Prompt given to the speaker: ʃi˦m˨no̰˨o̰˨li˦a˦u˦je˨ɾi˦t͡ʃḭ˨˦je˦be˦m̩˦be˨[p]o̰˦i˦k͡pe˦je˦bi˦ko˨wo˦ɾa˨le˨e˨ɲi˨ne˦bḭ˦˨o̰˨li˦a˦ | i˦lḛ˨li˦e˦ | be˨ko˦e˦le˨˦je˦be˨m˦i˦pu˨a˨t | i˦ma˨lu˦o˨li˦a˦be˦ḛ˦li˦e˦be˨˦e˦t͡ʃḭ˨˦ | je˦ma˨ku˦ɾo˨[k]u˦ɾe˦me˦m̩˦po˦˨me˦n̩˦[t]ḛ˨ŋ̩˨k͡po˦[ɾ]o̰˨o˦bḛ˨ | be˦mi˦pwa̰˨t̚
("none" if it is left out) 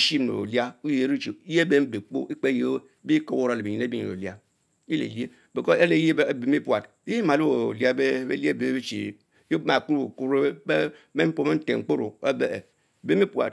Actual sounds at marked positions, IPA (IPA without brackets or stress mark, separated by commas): k͡p, k, t, ɾ